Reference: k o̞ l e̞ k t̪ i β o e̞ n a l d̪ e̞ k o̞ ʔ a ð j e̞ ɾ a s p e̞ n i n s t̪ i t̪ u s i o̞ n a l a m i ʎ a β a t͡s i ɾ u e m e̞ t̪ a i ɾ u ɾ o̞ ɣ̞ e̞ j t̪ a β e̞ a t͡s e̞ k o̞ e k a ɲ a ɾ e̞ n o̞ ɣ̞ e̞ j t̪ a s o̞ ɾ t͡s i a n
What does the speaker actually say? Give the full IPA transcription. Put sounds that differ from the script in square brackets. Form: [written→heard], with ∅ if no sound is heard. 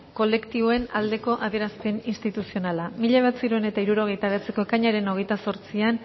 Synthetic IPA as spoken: k o̞ l e̞ k t̪ i β o e̞ n a l d̪ e̞ k o̞ ʔ a ð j e̞ ɾ a s p e̞ n i n s t̪ i t̪ u s i o̞ n a l a m i ʎ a β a t͡s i ɾ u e [m→n] e̞ t̪ a i ɾ u ɾ o̞ ɣ̞ e̞ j t̪ a β e̞ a t͡s e̞ k o̞ e k a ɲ a ɾ e̞ n o̞ ɣ̞ e̞ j t̪ a s o̞ ɾ t͡s i a n